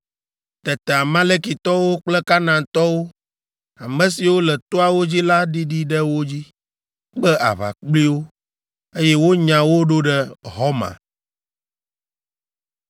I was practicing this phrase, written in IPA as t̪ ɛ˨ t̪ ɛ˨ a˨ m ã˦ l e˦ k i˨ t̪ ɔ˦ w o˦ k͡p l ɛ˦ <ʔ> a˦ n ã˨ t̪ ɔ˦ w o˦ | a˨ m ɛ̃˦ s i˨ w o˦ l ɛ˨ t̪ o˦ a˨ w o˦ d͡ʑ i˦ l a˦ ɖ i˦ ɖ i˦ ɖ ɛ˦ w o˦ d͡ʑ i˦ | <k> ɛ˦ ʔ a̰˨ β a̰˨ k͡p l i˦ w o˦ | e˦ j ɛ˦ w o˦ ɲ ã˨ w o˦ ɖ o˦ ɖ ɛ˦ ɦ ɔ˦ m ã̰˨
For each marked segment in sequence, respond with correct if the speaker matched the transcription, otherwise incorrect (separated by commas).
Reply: incorrect, incorrect